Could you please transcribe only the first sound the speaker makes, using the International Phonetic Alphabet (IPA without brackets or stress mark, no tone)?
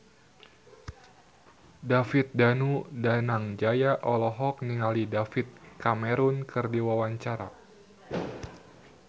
d